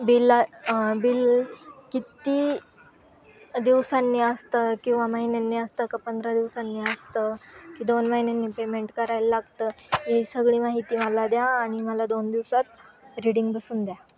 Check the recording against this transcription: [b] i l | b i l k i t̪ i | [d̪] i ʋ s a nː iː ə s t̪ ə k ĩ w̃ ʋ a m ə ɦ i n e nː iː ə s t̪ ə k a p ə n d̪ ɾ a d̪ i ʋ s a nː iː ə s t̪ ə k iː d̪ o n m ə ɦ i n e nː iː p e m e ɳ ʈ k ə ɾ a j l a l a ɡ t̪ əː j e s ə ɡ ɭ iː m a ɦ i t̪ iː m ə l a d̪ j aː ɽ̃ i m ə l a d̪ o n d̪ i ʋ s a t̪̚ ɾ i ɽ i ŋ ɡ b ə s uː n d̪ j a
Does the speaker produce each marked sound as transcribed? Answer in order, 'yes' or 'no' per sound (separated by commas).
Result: yes, yes